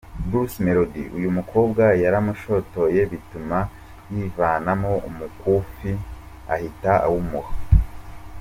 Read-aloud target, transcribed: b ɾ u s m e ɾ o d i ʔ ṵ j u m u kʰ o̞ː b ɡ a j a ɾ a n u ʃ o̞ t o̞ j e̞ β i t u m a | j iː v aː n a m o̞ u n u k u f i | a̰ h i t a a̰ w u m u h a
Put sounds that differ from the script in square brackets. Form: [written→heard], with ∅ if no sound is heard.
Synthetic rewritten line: b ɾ u s m e ɾ o d i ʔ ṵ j u m u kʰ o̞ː b ɡ a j a ɾ a [n→m] u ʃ o̞ t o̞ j e̞ β i t u m a | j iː v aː n a m o̞ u [n→m] u k u f i | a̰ h i t a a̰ w u m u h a